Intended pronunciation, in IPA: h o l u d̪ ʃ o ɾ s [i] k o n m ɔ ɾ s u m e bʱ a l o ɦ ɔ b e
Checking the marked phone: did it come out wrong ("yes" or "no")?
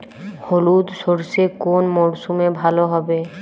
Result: yes